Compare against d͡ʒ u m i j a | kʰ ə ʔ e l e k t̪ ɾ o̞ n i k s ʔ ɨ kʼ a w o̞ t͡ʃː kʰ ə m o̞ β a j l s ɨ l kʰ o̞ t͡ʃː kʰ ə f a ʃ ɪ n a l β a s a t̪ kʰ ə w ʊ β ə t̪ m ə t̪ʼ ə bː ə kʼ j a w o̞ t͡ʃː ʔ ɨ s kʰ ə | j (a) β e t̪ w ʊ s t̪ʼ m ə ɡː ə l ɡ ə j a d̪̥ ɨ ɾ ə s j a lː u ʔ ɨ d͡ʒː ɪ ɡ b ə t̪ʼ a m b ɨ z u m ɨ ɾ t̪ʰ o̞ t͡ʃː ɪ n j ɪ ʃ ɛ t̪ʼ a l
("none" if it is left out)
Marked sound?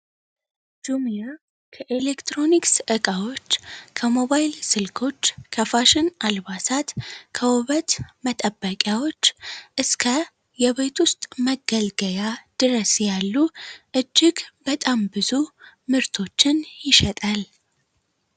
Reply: ɛ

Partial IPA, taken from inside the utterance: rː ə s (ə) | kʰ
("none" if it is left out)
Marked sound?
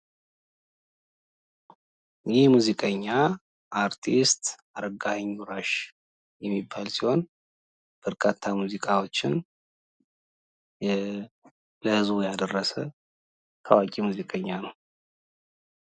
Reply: ə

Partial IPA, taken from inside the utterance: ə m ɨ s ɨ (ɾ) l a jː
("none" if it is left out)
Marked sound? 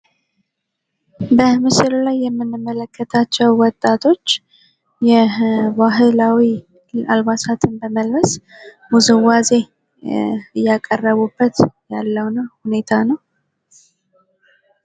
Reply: l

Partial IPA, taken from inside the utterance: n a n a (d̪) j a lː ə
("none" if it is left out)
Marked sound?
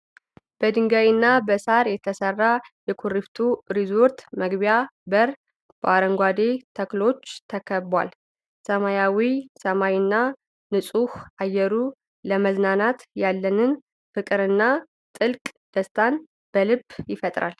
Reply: t̪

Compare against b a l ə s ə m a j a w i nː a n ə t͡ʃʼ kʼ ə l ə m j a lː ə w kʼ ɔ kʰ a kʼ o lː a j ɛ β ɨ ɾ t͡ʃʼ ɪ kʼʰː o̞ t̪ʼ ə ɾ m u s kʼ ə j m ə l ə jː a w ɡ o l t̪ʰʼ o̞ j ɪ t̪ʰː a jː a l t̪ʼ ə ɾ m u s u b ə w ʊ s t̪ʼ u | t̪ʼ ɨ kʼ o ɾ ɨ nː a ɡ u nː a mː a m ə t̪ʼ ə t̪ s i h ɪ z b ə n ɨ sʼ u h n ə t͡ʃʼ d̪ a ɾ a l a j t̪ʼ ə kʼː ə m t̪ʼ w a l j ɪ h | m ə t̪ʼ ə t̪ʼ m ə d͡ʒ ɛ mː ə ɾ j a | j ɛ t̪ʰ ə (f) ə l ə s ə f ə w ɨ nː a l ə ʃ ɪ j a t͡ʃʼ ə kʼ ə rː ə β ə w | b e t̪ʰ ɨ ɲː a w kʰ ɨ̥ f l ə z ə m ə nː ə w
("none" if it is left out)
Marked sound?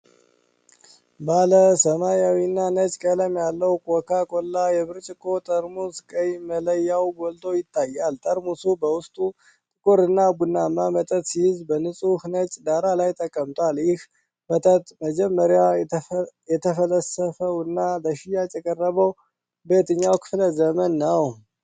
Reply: f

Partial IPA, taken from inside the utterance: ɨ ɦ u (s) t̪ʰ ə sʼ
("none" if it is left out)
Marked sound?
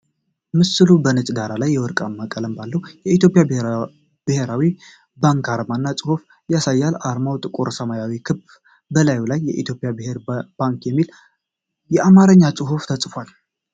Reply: f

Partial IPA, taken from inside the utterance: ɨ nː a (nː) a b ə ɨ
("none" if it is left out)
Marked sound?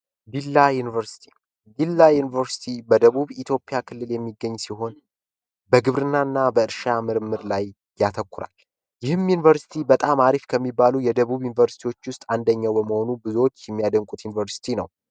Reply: nː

